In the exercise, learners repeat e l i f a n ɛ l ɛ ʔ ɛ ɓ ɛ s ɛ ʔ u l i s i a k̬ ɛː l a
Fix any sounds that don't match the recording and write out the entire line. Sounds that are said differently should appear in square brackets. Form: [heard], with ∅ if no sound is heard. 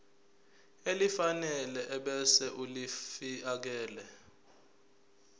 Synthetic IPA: e l i f a n ɛ l ɛ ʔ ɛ ɓ ɛ s ɛ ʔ u l i [f] i a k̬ ɛː l [ɛ]